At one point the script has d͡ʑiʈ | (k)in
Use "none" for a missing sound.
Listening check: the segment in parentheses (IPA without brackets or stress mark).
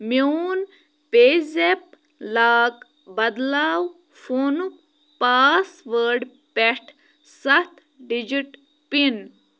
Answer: p